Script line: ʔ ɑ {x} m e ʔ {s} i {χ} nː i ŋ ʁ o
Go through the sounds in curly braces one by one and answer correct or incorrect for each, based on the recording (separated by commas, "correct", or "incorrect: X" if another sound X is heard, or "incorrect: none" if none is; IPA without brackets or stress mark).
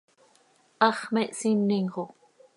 incorrect: χ, correct, incorrect: none